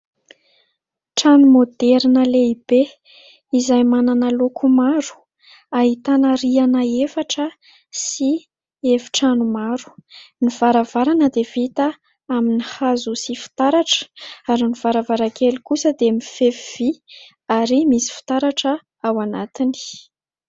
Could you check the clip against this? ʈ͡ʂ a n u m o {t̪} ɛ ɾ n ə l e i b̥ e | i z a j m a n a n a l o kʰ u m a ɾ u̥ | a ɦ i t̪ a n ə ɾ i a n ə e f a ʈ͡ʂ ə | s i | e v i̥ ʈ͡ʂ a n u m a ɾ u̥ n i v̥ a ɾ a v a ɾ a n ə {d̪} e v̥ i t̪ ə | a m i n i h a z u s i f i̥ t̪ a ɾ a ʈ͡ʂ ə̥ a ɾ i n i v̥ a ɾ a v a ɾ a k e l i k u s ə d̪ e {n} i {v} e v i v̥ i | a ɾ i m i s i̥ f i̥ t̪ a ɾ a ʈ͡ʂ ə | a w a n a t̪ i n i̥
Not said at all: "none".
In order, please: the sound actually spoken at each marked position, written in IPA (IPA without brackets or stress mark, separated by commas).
d̪, d̪, m, f